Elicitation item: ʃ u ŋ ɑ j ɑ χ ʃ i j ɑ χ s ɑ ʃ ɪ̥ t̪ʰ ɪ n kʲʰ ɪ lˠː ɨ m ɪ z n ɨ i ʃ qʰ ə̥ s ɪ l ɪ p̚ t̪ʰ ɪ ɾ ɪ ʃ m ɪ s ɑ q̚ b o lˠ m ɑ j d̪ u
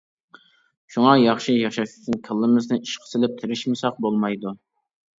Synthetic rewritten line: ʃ u ŋ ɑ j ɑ χ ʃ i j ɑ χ ʃ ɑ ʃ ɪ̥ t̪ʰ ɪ n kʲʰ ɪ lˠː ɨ m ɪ z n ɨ i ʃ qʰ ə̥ s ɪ l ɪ p̚ t̪ʰ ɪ ɾ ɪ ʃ m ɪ s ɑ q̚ b o lˠ m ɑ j d̪ u